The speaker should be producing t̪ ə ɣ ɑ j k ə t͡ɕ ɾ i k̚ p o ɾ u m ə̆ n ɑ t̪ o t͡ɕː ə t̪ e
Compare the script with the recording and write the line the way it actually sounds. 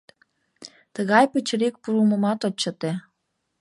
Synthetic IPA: t̪ ə ɣ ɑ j p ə t͡ɕ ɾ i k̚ p u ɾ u m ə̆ m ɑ t̪ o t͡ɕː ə t̪ e